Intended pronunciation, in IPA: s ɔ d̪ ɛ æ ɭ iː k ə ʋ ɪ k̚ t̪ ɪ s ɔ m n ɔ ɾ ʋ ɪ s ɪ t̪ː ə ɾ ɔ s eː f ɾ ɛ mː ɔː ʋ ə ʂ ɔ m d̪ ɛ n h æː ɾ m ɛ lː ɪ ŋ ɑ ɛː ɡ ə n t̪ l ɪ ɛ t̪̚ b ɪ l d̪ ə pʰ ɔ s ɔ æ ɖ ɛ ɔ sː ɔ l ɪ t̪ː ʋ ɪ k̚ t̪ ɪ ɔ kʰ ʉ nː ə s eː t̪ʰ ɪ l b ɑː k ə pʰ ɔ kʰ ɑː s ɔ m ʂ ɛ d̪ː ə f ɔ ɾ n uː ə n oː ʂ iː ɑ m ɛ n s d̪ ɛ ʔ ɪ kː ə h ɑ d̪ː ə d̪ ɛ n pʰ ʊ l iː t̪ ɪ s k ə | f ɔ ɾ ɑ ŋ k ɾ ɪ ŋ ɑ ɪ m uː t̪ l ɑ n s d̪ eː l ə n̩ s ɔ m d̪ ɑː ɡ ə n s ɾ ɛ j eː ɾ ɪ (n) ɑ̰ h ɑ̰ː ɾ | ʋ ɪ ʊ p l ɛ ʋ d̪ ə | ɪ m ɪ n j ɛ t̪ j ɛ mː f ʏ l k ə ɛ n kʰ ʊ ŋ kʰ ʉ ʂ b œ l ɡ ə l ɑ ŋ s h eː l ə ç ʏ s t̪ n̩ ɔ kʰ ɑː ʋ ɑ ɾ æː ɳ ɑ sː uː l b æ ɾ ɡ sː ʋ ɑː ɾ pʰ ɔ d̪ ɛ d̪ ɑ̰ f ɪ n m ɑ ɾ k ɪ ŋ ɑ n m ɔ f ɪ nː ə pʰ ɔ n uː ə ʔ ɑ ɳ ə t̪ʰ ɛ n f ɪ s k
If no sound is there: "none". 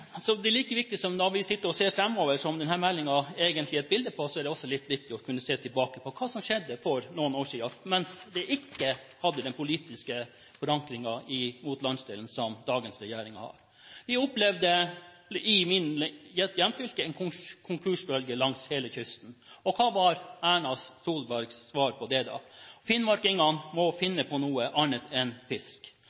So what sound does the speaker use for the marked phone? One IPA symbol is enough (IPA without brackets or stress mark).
ŋ